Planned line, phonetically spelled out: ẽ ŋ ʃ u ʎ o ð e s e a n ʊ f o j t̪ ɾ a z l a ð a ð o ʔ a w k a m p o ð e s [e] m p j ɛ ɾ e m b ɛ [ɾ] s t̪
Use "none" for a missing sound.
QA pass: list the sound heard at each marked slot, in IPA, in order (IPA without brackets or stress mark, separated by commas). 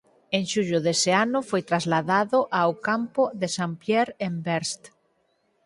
a, ɾ